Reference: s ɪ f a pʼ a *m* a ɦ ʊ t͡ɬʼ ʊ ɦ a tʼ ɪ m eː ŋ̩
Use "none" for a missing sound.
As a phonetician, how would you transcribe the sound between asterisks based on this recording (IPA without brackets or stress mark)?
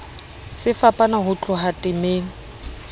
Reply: n